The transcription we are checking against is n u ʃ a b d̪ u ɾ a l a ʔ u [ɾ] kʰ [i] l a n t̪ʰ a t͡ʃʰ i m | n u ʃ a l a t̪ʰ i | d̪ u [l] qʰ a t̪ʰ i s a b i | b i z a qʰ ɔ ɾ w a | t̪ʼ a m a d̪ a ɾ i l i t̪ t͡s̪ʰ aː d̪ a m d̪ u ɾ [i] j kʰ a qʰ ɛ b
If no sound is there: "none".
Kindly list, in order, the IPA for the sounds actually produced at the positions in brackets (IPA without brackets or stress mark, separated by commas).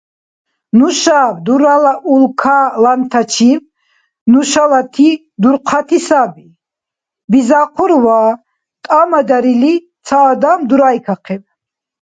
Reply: l, a, ɾ, a